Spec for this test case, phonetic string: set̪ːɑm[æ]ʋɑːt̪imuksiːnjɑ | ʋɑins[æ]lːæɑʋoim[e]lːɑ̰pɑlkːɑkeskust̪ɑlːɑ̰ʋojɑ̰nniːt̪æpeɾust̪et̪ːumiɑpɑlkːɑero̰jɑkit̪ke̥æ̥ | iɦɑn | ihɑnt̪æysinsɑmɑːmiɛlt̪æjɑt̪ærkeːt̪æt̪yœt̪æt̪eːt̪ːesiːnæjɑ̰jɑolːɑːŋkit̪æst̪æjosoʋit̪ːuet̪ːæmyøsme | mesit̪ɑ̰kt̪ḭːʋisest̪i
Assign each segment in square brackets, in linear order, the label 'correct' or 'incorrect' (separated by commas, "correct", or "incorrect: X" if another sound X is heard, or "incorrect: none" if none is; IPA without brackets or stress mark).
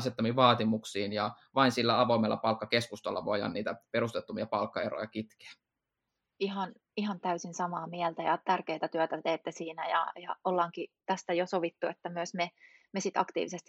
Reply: incorrect: i, incorrect: i, correct